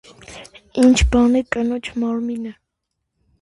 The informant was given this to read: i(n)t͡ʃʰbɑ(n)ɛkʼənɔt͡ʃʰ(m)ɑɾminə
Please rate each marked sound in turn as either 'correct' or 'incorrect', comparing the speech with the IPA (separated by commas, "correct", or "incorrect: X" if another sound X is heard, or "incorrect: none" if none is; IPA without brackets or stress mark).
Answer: correct, correct, correct